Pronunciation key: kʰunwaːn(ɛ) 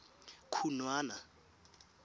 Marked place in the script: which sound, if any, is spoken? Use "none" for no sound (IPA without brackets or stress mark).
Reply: a